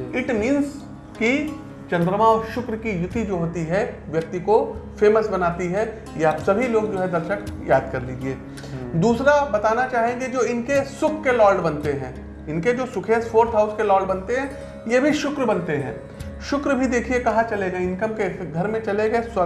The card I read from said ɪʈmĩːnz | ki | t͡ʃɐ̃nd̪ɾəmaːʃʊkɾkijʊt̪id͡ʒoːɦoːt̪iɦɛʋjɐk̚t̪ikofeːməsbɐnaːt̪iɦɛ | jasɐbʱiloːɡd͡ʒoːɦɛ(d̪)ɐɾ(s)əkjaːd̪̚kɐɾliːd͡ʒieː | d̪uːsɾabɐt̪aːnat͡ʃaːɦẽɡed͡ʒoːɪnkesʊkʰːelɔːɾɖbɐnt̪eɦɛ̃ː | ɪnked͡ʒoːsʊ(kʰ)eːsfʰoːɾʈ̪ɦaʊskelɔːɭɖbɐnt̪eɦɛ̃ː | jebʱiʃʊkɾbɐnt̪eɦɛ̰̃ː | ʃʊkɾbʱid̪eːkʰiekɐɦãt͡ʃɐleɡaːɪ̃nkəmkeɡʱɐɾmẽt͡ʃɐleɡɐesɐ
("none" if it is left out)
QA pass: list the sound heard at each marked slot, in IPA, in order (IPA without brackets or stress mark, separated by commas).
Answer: d̪, ʃ, kʰ